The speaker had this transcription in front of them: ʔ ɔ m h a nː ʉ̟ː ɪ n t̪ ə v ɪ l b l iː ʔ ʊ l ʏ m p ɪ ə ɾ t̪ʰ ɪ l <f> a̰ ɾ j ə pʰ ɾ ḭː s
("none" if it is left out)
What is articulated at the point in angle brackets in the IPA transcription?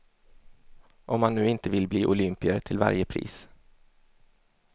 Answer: v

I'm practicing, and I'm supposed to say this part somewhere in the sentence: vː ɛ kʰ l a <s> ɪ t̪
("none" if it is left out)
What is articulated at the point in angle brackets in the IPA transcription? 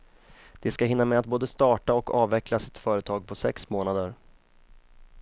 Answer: s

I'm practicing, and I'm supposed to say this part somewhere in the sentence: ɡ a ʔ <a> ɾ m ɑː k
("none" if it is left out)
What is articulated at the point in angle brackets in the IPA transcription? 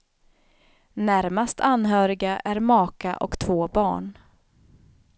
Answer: æ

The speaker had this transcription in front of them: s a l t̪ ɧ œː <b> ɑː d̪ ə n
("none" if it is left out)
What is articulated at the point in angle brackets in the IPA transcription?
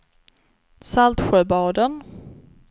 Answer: b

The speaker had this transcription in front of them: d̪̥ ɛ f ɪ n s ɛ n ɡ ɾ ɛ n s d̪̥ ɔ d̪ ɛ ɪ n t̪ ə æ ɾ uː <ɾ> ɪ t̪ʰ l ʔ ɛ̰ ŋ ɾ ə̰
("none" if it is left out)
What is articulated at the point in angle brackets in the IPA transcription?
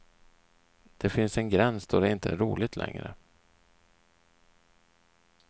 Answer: l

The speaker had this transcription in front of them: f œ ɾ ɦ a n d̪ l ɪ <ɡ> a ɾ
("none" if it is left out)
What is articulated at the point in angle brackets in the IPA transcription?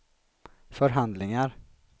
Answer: ŋ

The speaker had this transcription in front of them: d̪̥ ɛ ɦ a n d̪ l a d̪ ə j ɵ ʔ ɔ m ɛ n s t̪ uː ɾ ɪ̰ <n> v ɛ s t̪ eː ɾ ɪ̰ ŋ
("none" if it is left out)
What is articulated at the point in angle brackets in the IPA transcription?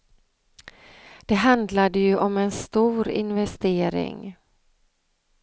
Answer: n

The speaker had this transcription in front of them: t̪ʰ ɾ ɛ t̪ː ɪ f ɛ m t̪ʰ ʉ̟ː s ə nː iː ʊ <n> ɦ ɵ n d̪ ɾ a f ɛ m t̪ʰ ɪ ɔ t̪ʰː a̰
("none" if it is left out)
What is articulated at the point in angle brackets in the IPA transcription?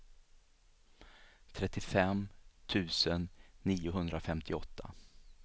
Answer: none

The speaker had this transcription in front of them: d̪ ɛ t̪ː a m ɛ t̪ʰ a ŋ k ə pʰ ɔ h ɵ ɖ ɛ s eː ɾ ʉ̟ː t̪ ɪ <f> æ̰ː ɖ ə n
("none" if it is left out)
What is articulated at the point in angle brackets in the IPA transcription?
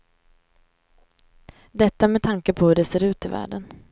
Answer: v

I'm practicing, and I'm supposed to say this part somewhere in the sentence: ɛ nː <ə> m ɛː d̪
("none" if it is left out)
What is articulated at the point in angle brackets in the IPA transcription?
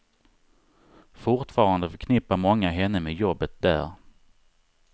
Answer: ə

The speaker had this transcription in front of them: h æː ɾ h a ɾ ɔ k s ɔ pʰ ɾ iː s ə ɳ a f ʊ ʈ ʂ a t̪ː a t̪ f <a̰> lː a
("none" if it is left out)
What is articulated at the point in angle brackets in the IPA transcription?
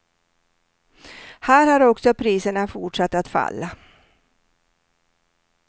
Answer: a̰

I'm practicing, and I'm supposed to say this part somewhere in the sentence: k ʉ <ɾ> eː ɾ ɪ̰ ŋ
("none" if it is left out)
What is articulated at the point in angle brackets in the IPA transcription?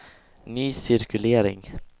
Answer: l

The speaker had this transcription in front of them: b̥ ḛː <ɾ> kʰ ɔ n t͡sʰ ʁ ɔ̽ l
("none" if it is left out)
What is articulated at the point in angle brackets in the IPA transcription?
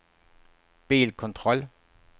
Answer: l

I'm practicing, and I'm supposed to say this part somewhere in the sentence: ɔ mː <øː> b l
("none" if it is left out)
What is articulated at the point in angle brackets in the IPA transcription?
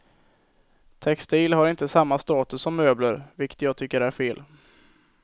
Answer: øː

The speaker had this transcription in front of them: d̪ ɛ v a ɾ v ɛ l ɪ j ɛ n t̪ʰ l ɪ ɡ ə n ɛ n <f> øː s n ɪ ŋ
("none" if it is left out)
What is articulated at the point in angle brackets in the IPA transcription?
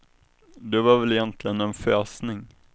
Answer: f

